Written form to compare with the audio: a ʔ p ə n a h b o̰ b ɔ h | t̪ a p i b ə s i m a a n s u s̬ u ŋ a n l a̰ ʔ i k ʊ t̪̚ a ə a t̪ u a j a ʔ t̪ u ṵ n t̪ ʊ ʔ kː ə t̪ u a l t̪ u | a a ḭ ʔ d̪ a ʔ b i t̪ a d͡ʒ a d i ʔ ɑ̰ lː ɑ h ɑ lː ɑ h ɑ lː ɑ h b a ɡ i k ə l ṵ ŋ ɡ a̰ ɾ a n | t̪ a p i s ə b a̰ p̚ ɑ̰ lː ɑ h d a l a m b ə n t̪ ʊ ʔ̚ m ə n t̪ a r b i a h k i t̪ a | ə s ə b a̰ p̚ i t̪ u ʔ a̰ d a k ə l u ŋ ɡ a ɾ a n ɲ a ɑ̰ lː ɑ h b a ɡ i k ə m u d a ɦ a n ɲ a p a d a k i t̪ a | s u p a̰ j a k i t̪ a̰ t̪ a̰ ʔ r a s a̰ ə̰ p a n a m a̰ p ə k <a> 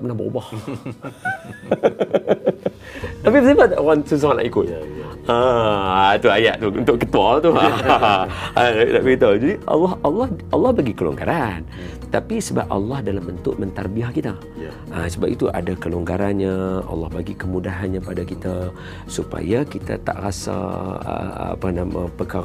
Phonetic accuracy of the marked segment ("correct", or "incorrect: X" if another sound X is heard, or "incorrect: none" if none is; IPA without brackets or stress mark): correct